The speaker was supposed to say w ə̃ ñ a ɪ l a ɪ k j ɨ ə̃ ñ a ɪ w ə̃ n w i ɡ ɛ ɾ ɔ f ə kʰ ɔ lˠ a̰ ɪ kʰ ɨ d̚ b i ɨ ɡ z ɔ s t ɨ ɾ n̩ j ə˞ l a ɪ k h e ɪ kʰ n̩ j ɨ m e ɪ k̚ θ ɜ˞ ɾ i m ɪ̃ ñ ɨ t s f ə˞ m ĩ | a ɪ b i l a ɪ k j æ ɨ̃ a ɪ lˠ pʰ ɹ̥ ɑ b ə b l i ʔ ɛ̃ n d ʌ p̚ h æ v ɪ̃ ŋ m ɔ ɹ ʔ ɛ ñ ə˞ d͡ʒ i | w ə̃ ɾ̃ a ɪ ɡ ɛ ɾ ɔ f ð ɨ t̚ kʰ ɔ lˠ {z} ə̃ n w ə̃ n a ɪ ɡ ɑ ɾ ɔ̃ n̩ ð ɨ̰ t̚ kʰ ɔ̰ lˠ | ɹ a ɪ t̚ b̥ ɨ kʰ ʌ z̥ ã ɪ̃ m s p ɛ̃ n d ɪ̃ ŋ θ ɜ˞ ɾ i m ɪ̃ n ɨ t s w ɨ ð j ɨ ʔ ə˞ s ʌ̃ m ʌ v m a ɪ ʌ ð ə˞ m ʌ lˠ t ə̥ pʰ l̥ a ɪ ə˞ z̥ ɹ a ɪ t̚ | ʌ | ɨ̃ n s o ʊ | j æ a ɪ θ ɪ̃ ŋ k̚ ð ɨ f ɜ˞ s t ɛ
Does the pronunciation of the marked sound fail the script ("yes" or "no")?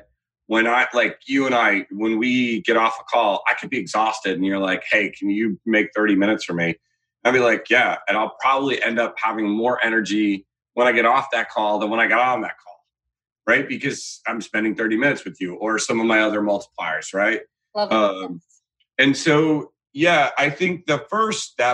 yes